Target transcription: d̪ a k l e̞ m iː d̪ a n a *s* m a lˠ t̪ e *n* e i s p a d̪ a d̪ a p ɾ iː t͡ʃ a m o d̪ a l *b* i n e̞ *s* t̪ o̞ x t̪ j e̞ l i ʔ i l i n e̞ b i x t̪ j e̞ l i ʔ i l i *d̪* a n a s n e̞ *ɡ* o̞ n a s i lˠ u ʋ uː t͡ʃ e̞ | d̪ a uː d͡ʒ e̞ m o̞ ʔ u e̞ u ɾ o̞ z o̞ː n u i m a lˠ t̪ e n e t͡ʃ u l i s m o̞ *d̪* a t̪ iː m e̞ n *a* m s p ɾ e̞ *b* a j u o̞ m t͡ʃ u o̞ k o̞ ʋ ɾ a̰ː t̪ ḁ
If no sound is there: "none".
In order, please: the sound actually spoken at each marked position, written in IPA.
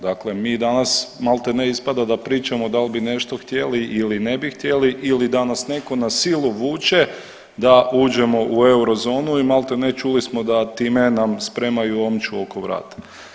s, n, b, ʃ, d̪, k, d̪, a, m

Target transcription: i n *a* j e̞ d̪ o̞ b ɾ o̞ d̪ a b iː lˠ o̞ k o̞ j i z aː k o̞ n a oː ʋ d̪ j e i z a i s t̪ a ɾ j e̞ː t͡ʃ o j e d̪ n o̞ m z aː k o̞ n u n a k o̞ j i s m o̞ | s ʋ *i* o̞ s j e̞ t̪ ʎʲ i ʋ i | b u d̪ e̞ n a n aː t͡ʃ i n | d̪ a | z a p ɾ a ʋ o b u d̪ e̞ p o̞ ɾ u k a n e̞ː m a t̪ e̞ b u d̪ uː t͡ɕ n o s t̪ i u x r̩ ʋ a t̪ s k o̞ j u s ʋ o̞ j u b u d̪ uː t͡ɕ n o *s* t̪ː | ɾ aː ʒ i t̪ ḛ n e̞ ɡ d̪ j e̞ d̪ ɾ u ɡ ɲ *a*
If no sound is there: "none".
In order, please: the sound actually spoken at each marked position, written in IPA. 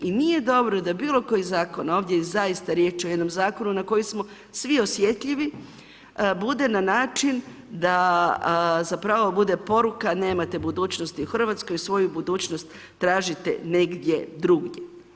i, i, s, e

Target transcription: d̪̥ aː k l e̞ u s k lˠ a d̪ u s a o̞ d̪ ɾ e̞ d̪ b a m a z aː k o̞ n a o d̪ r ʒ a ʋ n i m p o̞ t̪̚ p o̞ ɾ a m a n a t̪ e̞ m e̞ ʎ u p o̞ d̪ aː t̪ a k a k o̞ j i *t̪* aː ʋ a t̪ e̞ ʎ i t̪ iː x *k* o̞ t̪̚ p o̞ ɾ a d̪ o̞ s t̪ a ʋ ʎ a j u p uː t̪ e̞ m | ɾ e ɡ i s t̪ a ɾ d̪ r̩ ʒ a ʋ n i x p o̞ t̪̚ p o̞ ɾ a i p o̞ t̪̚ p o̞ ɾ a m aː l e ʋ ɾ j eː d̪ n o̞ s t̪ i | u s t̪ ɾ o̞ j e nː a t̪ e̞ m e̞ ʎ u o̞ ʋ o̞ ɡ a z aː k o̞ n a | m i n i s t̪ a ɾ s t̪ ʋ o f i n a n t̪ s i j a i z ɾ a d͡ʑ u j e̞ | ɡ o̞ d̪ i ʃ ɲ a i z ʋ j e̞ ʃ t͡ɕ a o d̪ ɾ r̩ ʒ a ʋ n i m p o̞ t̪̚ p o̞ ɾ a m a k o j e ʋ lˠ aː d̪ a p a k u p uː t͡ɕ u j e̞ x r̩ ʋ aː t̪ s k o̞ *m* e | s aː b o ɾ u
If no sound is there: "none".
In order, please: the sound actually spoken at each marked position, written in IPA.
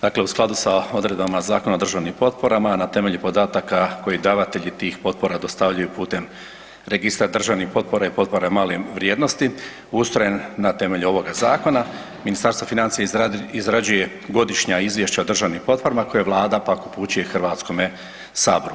d̪, p, m

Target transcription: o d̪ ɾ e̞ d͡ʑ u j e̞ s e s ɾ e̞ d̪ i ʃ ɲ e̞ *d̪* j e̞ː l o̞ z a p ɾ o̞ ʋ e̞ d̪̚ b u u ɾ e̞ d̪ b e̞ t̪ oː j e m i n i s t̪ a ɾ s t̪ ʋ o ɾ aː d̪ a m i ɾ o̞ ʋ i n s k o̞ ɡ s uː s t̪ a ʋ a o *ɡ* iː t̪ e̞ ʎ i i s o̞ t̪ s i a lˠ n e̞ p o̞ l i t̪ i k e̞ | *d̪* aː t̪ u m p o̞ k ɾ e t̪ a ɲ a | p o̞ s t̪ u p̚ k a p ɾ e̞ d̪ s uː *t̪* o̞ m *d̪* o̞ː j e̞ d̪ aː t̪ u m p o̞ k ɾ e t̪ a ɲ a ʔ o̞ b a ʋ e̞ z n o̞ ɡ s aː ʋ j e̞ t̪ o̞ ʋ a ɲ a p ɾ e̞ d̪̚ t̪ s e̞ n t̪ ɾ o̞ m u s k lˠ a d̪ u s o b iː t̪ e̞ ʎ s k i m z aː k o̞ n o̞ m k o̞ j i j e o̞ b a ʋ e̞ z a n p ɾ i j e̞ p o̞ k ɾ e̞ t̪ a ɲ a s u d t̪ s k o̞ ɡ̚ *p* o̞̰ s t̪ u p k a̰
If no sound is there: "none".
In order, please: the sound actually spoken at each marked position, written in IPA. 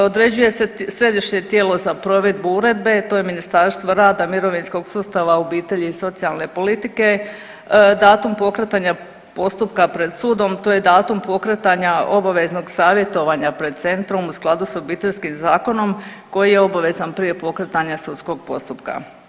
t̪, b, d̪, d̪, t̪, p

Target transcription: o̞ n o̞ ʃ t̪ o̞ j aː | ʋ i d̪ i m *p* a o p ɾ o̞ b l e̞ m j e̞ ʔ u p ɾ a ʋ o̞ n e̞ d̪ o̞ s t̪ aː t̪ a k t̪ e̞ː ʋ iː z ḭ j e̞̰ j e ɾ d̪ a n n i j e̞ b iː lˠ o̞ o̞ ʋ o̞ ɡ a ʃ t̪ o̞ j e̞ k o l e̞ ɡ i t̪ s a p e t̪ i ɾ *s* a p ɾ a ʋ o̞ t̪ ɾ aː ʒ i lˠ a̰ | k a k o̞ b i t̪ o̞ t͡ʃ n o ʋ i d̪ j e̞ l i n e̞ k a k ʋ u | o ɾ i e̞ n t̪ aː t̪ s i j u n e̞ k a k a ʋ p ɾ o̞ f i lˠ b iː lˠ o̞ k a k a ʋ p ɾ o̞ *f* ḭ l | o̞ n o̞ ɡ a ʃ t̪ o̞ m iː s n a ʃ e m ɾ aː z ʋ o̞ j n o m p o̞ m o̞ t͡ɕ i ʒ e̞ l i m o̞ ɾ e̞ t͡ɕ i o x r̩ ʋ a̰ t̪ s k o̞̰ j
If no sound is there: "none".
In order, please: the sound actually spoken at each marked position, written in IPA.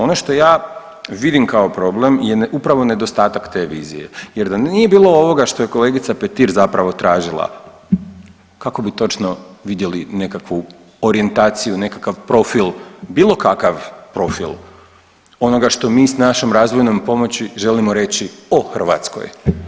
k, z, f

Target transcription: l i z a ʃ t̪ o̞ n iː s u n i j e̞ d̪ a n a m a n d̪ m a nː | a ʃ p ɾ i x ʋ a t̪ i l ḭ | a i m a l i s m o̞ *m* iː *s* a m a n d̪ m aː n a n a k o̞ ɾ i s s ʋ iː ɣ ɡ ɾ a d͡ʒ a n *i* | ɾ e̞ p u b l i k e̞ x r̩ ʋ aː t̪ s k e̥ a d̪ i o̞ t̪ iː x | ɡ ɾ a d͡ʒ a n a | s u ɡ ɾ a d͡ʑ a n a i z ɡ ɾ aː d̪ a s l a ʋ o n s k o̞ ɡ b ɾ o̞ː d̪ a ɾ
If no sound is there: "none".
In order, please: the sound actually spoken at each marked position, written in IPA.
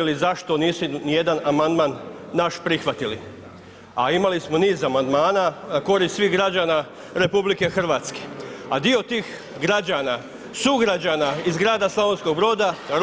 n, z, a

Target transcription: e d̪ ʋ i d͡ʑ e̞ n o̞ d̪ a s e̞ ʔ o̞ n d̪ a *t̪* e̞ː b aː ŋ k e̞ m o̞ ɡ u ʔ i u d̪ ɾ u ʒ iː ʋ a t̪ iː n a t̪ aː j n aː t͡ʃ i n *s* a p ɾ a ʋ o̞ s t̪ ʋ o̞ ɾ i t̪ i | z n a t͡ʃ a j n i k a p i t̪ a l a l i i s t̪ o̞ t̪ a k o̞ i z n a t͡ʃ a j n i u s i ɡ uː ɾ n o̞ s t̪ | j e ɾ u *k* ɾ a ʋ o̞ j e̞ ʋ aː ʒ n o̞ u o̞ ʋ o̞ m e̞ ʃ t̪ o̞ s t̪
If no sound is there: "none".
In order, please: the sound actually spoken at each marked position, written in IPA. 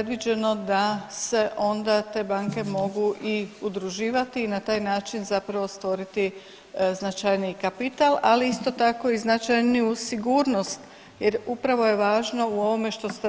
t̪, z, p

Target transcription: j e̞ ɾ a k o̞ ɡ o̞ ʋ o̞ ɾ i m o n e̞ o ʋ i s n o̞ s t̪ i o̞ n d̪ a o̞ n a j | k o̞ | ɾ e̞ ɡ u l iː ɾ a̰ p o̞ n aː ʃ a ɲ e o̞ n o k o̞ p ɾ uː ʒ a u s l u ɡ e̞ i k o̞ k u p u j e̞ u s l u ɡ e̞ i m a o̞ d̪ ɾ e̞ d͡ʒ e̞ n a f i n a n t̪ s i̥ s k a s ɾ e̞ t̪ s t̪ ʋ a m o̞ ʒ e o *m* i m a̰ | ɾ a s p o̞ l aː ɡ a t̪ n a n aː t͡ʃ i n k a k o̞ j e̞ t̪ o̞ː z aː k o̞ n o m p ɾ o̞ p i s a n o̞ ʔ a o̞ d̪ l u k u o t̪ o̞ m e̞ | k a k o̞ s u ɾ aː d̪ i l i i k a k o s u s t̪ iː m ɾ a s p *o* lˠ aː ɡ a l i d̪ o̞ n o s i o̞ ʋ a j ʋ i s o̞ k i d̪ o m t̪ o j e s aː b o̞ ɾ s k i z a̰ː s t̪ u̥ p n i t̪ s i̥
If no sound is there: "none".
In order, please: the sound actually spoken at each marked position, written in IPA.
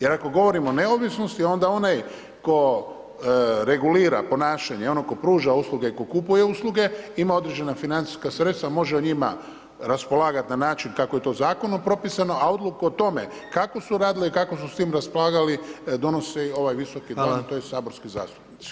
ɲ, o

